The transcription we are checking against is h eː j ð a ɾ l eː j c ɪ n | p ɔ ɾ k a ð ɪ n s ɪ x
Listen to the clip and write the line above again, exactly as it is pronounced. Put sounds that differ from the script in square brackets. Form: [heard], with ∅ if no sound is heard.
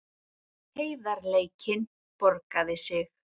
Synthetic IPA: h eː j ð a ɾ l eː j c ɪ n | p ɔ ɾ k a ð ɪ [∅] s ɪ x

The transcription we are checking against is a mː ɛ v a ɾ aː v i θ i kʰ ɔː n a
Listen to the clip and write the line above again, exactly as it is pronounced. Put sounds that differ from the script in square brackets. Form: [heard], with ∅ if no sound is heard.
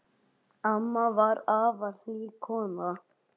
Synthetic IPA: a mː [a] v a ɾ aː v [a] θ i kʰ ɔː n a

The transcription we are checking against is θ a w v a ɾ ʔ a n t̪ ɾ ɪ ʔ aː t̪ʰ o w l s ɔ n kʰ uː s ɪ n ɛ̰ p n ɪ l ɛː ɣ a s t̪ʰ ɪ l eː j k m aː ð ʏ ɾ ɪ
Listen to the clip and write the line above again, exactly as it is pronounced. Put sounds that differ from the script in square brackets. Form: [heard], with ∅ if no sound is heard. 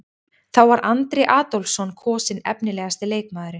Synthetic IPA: θ a w v a ɾ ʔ a n t̪ ɾ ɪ ʔ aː [t̪] o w l s ɔ n kʰ [ɔː] s ɪ n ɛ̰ p n ɪ l ɛː ɣ a s [t̪] ɪ l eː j k m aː ð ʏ ɾ ɪ

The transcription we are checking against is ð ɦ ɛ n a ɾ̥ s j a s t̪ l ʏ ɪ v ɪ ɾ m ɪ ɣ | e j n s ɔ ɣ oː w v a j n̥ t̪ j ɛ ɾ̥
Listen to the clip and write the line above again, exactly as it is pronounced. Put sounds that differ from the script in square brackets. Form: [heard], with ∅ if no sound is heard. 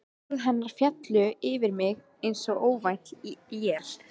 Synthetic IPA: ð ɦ ɛ [nː] a ɾ̥ [f] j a [∅] t̪ l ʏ ɪ v ɪ ɾ m ɪ ɣ | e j n s ɔ ɣ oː w v a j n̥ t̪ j ɛ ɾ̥

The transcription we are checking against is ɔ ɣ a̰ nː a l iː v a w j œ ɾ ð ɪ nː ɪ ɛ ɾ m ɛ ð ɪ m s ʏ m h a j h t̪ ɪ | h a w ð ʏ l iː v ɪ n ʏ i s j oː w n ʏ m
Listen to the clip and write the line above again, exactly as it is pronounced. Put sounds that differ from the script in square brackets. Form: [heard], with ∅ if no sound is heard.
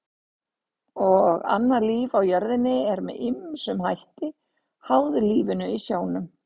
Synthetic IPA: ɔ ɣ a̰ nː a l iː v a w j œ ɾ ð ɪ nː ɪ ɛ ɾ m ɛ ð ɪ m s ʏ m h a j h t̪ ɪ | h a w ð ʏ l iː v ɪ n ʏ i s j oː w n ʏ m

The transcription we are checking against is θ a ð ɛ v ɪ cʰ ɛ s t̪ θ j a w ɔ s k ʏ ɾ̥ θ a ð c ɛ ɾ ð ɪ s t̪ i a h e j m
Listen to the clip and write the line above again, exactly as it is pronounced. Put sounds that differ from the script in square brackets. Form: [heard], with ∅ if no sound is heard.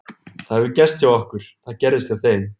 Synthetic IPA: θ a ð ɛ v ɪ [c] ɛ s t̪ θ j a w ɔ [h] k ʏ ɾ̥ θ a ð c ɛ ɾ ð ɪ s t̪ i a [θ] e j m

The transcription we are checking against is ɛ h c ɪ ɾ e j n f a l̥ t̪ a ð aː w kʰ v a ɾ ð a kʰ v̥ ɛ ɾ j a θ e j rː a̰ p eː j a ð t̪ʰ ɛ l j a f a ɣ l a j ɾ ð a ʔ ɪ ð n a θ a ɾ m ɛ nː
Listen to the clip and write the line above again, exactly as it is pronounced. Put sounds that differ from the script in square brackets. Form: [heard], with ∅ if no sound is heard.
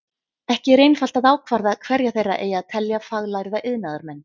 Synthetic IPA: ɛ h c ɪ ɾ e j n f a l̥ t̪ a ð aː w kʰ v a ɾ ð a kʰ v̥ ɛ ɾ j a θ e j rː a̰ [ʔ] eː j a ð t̪ʰ ɛ l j a f a ɣ l a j ɾ ð a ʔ ɪ ð n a [ð] a ɾ m ɛ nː

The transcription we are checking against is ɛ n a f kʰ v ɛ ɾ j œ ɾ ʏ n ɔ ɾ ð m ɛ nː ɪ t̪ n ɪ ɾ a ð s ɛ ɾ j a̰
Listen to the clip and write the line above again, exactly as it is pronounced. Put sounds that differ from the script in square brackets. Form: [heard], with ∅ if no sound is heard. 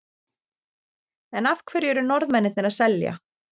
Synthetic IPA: ɛ n a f kʰ v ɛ ɾ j [ɛ] ɾ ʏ n ɔ ɾ ð m ɛ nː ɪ t̪ n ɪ ɾ a ð s ɛ [l] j a̰

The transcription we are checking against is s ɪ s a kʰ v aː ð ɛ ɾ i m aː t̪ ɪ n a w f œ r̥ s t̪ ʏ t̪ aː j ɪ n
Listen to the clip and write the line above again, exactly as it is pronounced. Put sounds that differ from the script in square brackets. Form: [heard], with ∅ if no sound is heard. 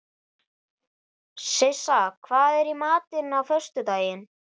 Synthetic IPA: s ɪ s a kʰ v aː ð ɛ ɾ i m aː t̪ ɪ n a w f œ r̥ s t̪ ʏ t̪ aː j ɪ n

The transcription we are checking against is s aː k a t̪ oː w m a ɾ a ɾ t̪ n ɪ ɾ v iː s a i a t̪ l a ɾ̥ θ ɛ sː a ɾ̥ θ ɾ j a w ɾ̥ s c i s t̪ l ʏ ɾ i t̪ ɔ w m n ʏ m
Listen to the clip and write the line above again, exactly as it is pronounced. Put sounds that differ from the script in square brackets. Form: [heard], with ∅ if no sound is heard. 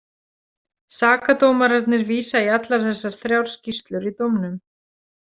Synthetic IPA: s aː k a t̪ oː w m a ɾ a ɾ t̪ n ɪ ɾ v iː s a i a t̪ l a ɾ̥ θ ɛ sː a ɾ̥ θ ɾ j a w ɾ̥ s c i s t̪ l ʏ ɾ i t̪ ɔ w m n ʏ m

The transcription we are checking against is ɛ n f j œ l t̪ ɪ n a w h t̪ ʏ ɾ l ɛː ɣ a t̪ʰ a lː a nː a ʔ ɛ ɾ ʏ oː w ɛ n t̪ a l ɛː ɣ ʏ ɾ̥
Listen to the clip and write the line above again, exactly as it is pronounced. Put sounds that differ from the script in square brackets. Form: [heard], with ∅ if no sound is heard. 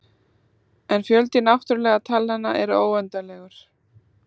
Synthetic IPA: ɛ n f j œ l t̪ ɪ n a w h t̪ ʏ ɾ l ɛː ɣ a t̪ʰ a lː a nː a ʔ ɛ ɾ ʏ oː w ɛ n t̪ a l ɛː ɣ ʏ ɾ̥

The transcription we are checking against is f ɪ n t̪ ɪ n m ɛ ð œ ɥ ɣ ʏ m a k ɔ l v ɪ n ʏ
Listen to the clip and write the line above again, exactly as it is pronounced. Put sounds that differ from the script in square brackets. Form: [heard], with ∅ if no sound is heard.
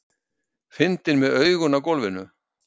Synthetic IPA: f ɪ n t̪ ɪ n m ɛ ð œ ɥ ɣ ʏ [n] a k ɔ l v ɪ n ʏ

